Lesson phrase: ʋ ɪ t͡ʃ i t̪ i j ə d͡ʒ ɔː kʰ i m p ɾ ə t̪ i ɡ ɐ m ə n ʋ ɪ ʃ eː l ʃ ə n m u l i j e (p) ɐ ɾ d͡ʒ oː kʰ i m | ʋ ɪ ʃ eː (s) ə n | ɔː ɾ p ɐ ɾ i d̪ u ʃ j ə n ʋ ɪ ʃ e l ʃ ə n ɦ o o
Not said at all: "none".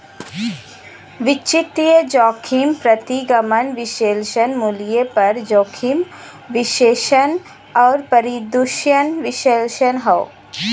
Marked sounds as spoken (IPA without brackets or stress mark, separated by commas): p, ʃ